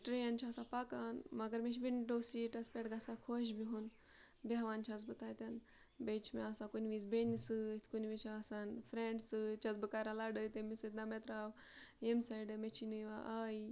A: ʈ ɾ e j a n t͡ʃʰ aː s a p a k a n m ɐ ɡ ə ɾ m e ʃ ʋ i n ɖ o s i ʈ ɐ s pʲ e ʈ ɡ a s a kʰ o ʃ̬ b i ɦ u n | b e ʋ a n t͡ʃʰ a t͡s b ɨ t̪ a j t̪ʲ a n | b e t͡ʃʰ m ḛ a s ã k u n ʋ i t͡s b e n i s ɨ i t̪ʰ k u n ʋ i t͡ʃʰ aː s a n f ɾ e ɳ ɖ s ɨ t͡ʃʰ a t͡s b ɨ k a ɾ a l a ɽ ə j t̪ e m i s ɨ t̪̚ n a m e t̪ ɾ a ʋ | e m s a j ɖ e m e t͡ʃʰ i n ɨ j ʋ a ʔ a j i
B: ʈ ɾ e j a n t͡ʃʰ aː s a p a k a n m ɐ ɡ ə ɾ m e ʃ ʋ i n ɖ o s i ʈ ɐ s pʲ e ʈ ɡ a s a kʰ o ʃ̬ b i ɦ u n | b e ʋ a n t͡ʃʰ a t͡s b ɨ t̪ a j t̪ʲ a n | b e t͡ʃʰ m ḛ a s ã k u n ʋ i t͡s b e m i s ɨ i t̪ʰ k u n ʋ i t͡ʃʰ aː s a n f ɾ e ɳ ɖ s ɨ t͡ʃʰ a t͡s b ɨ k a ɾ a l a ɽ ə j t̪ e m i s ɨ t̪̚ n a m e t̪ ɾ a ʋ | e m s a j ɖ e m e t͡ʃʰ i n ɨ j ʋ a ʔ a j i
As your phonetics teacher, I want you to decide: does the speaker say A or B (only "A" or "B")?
A